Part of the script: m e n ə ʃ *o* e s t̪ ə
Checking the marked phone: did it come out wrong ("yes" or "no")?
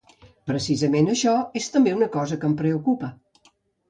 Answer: yes